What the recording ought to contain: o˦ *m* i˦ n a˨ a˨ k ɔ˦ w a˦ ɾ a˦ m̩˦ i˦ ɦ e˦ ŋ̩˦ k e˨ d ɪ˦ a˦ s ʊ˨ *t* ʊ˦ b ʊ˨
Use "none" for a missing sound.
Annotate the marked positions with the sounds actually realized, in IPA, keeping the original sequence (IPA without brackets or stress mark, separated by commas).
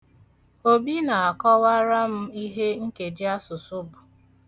b, s